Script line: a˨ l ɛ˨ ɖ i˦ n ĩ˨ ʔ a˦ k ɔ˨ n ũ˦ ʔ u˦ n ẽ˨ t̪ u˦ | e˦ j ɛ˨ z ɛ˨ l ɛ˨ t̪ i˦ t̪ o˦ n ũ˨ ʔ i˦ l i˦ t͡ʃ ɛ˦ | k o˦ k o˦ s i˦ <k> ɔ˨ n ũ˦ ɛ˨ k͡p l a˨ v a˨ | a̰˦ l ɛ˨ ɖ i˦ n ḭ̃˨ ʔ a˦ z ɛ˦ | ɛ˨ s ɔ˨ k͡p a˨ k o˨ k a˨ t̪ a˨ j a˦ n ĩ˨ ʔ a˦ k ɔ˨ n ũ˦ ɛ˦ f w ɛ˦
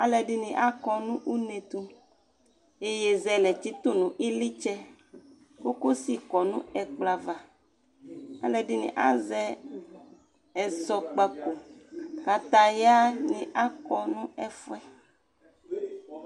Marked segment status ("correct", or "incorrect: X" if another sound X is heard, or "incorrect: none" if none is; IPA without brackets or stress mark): correct